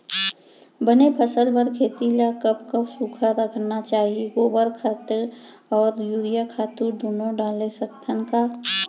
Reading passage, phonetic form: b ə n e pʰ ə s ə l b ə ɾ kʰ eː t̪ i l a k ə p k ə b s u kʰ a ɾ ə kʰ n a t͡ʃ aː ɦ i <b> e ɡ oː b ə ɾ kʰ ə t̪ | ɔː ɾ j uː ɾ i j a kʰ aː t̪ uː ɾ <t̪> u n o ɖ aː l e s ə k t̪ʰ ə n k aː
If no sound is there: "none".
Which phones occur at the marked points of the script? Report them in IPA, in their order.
none, d̪

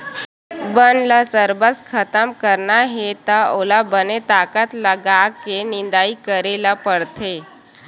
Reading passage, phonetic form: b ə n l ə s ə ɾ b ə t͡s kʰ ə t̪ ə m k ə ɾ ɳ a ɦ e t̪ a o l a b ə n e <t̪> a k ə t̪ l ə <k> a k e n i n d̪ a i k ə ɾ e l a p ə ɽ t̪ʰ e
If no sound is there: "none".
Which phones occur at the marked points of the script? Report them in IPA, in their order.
t̪, ɡ

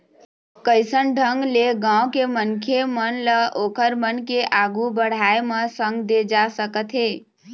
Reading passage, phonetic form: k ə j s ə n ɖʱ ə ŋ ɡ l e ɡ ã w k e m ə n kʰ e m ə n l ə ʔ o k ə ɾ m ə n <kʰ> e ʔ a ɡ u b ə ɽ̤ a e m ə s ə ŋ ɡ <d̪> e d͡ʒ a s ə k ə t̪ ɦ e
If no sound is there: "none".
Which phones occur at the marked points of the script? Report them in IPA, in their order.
k, d̪

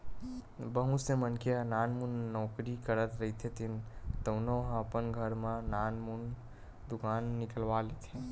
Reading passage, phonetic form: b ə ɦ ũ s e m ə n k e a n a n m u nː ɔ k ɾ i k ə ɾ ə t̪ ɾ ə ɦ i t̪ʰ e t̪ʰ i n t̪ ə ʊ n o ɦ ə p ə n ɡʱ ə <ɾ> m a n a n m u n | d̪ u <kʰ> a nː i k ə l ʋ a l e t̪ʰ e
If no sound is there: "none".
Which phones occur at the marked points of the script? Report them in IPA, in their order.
ɾ, k

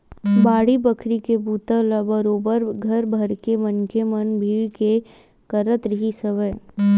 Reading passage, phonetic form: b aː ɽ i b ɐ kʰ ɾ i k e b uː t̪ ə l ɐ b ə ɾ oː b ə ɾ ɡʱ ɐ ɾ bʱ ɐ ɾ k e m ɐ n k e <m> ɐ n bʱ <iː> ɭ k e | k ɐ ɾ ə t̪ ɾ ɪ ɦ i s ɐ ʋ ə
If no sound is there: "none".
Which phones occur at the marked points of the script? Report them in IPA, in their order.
m, iː

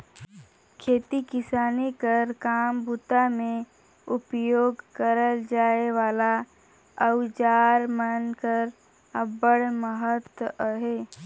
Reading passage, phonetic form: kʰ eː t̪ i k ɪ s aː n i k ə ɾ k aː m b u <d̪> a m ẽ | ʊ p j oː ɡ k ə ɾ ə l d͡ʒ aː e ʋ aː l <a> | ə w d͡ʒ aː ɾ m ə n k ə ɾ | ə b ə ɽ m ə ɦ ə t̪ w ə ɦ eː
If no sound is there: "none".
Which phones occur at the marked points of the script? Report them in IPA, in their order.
t̪, a

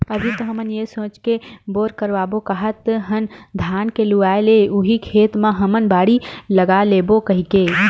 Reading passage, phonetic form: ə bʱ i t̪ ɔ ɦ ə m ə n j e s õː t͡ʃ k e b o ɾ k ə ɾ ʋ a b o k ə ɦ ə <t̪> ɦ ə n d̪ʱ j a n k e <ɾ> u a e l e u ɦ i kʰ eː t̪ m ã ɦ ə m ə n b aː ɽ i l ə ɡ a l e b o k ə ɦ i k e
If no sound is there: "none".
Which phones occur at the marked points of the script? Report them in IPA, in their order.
t̪, l

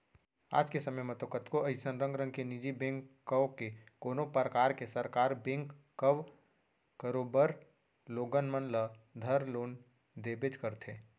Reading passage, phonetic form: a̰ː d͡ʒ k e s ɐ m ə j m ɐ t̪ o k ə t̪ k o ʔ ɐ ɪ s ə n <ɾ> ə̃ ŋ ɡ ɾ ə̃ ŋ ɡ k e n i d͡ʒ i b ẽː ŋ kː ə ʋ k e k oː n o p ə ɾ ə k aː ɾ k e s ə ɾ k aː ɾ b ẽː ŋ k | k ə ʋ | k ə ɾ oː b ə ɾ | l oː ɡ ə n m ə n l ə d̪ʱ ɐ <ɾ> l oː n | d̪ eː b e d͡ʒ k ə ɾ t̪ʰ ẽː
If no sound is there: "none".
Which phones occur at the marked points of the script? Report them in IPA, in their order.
ɾ, ɾ

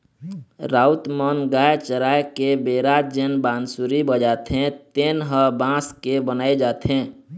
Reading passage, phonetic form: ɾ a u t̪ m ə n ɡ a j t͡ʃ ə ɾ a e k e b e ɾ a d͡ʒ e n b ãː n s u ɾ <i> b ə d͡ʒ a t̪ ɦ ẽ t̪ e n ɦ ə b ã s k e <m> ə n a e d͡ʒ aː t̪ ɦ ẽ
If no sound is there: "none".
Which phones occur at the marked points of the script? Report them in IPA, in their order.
i, b

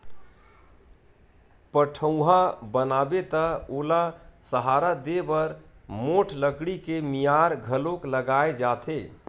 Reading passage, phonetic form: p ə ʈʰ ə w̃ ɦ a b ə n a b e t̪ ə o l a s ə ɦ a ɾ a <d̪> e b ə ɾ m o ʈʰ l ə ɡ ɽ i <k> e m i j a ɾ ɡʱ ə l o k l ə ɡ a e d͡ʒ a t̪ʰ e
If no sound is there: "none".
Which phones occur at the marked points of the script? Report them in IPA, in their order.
d̪, k

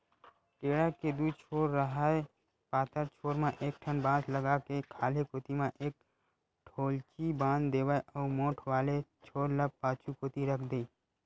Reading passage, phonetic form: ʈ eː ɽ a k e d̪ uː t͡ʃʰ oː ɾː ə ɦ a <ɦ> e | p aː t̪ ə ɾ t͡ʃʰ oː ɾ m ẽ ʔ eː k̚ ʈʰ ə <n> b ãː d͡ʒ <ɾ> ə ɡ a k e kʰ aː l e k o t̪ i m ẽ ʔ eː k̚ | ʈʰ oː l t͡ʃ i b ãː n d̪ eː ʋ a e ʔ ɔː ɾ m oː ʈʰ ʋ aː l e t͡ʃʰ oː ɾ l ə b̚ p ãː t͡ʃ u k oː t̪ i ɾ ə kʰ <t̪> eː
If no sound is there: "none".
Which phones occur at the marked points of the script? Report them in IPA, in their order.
none, n, l, d̪

